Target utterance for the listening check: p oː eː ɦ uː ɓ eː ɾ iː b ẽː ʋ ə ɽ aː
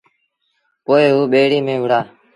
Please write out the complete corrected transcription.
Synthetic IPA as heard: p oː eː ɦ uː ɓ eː ɽ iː m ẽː ʋ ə ɽ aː